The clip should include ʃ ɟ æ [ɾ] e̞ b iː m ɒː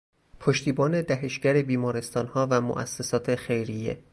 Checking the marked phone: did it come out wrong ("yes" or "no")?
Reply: no